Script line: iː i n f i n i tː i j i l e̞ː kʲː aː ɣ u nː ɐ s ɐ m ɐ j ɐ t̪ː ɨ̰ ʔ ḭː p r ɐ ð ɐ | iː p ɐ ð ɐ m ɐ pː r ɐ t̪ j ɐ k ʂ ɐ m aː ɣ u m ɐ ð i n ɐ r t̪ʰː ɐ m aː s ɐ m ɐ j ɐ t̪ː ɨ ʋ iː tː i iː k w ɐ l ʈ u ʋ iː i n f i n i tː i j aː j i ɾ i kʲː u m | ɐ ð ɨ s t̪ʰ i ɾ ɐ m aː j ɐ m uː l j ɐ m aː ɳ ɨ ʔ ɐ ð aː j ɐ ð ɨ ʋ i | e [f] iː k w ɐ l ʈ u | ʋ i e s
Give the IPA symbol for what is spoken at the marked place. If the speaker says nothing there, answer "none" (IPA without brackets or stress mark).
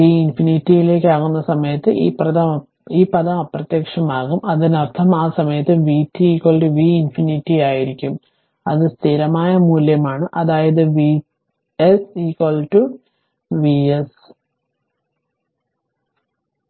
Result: s